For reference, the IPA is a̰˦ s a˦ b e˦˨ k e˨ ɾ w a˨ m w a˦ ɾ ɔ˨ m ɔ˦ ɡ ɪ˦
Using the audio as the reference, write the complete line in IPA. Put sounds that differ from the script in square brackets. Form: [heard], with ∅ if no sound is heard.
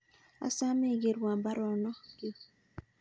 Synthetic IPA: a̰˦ s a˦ [m] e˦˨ [ɡ] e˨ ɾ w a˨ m [b] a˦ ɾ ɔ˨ [n] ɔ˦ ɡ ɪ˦